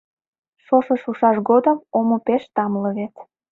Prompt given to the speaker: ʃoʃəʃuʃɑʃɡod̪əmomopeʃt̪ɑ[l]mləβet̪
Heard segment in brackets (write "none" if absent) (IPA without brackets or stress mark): none